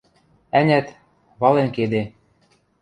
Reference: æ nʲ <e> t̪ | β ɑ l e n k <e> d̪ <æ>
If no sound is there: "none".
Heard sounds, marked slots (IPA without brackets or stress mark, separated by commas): æ, e, e